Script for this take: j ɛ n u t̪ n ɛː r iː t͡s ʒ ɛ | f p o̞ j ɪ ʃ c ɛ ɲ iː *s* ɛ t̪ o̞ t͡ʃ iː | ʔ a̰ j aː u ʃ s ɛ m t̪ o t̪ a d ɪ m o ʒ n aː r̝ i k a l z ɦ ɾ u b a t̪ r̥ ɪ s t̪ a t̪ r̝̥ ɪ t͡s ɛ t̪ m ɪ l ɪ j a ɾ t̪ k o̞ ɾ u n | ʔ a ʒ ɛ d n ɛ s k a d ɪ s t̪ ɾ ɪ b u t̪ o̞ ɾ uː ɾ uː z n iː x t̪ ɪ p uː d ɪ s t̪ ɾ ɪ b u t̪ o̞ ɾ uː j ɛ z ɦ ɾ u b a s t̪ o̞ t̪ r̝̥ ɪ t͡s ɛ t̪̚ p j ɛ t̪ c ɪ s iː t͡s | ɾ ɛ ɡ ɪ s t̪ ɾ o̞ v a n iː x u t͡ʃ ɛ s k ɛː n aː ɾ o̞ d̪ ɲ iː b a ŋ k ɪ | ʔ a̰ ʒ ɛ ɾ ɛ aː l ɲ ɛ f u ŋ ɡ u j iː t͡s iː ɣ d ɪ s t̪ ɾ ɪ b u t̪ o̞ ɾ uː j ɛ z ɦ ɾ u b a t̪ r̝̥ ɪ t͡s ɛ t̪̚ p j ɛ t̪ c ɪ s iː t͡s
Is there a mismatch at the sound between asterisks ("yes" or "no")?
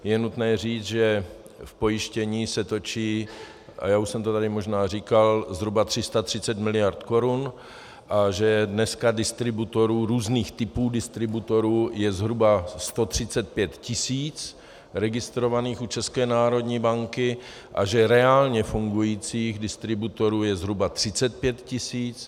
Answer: no